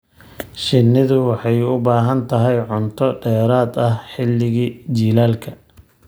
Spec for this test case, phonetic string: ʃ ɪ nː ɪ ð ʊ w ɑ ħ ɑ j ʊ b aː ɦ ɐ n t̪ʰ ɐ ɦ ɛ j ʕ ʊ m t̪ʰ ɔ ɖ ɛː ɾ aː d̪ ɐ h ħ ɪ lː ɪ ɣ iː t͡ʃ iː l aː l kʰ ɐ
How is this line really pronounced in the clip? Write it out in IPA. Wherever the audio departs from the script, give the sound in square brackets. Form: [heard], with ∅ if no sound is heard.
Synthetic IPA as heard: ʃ ɪ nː ɪ ð ʊ w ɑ ħ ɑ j ʊ b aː ɦ ɐ n t̪ʰ ɐ ɦ ɛ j ʕ ʊ [n] t̪ʰ ɔ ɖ ɛː ɾ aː d̪ ɐ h ħ ɪ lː ɪ ɣ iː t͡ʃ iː l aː l kʰ ɐ